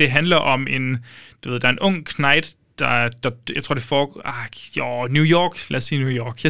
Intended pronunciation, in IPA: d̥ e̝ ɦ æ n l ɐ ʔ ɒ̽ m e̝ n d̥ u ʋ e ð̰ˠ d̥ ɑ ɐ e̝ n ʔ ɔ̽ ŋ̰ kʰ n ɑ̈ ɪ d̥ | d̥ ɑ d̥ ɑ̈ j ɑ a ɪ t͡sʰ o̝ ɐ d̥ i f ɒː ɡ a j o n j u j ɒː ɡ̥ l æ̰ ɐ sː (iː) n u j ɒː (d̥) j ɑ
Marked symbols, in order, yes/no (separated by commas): yes, no